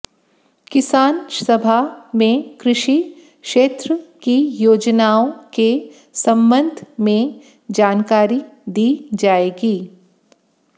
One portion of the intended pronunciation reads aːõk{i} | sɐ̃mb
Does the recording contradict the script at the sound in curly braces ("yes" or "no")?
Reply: yes